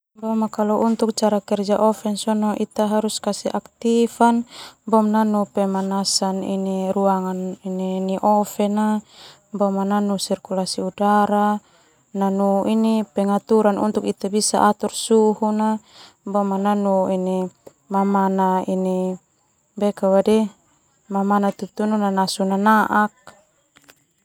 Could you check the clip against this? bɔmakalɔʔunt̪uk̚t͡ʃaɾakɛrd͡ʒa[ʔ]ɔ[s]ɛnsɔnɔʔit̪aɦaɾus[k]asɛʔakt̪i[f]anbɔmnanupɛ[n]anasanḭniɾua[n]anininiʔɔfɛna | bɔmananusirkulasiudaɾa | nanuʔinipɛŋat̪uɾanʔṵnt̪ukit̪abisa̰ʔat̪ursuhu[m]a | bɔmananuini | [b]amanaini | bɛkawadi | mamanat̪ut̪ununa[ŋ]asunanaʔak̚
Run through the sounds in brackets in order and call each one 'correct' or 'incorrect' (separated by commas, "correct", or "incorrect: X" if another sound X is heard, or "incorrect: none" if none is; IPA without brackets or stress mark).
correct, incorrect: f, correct, correct, incorrect: m, incorrect: ŋ, incorrect: n, incorrect: m, incorrect: n